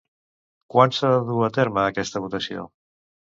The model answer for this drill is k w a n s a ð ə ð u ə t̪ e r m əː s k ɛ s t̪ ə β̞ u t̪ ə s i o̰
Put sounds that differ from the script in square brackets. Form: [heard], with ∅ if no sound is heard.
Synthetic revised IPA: k w a n s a ð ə ð u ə t̪ e [ɾ] m əː [∅] k ɛ s t̪ ə β̞ u t̪ ə s i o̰